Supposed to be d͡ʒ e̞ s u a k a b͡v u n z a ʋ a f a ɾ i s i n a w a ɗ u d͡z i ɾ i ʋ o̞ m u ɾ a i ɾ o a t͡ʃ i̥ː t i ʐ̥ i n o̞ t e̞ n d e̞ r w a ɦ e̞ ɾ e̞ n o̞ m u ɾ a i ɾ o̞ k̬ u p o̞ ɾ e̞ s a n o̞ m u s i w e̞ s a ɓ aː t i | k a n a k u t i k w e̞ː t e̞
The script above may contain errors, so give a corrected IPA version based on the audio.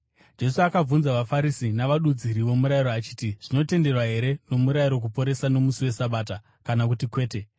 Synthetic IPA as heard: d͡ʒ e̞ s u a k a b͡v u n z a ʋ a f a ɾ i s i n a ʋ a ɗ u d͡z i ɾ i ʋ o̞ m u ɾ a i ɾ o a t͡ʃ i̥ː t i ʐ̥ i n o̞ t e̞ n d e̞ r w a ɦ e̞ ɾ e̞ n o̞ m u ɾ a i ɾ o̞ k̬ u p o̞ ɾ e̞ s a n o̞ m u s i w e̞ s a ɓ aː t a | k a n a k u t i k w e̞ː t e̞